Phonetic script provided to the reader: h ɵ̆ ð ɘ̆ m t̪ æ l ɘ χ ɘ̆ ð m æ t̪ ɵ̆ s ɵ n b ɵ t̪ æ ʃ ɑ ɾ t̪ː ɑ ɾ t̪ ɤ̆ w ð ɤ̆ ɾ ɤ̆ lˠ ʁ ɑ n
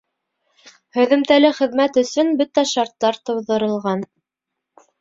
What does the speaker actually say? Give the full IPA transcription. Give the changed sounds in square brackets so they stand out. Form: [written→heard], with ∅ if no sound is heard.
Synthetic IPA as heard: h ɵ̆ ð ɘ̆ m t̪ æ l ɘ χ ɘ̆ ð m æ t̪ ɵ̆ s ɵ n b ɵ t̪ æ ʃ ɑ ɾ t̪ː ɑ ɾ t̪ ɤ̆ w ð ɤ̆ ɾ ɤ̆ lˠ ʁ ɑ n